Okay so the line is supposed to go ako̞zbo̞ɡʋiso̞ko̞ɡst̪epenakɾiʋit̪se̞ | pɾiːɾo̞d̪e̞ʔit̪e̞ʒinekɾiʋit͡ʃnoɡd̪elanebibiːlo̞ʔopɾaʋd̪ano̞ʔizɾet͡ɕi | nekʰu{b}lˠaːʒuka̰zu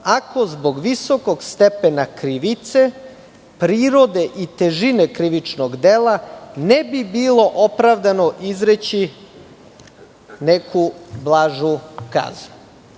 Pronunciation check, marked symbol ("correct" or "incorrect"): correct